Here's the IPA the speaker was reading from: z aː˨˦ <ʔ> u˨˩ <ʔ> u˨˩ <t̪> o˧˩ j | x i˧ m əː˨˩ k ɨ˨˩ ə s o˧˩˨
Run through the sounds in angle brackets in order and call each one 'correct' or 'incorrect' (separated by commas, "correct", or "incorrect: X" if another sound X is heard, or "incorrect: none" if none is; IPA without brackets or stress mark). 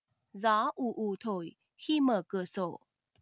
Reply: correct, correct, incorrect: t̪ʰ